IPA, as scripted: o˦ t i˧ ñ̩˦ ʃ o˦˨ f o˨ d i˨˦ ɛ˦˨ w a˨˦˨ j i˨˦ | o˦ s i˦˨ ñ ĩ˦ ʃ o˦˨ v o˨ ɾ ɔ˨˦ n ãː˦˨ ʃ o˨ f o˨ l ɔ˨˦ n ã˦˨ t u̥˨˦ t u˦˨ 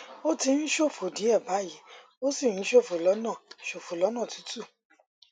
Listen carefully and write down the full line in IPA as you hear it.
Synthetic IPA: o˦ t i˧ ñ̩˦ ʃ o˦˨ f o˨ d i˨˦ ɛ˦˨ b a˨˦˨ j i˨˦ | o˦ s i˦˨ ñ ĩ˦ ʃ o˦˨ f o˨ l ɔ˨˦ n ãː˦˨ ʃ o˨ f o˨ l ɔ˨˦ n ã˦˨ t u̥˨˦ t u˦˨